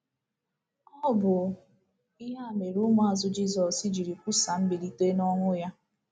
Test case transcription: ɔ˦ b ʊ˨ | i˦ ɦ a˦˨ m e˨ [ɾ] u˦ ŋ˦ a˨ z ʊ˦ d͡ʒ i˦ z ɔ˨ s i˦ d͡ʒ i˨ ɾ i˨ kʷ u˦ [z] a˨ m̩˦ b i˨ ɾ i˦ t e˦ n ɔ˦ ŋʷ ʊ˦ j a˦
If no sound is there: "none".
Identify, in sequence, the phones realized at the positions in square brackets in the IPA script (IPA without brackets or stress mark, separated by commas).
ɾ, s